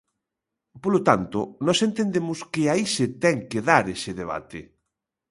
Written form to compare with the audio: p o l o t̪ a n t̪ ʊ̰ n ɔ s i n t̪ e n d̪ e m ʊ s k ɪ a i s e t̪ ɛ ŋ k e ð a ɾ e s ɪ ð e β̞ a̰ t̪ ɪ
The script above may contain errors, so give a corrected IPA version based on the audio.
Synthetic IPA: p o l o t̪ a n t̪ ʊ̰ n ɔ s e n t̪ e n d̪ e m ʊ s k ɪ a i s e t̪ ɛ ŋ k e ð a ɾ e s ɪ ð e β̞ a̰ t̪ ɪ